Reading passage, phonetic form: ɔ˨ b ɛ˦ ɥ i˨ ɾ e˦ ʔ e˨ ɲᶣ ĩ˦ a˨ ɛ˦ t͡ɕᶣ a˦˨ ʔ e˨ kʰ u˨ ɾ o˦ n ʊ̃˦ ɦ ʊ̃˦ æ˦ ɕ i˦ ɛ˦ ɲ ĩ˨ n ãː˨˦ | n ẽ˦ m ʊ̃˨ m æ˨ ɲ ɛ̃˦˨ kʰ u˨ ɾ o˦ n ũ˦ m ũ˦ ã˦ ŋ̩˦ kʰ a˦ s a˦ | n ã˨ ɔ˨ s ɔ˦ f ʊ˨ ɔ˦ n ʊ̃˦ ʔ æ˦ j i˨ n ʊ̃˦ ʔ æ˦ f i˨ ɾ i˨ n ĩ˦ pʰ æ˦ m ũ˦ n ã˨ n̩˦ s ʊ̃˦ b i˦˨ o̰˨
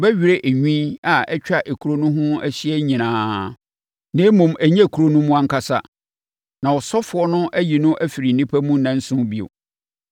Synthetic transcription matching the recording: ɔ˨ b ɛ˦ ɥ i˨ ɾ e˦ ʔ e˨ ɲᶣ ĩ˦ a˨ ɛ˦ t͡ɕᶣ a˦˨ ʔ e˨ kʰ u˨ ɾ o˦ n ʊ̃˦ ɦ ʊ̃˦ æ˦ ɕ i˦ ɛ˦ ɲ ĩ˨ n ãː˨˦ | n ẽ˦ m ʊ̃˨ m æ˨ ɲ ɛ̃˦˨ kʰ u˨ ɾ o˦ n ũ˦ m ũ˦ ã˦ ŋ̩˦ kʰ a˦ s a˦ | n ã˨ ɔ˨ s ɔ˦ f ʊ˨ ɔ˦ n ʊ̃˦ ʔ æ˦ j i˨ n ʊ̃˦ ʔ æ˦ f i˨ ɾ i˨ n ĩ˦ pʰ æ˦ m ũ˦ n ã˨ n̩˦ s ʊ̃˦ b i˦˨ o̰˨